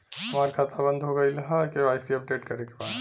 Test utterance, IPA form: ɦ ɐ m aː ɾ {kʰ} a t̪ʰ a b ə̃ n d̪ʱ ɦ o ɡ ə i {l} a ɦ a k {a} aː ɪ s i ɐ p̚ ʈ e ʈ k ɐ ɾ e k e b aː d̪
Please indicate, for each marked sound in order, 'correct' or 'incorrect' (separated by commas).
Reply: correct, correct, incorrect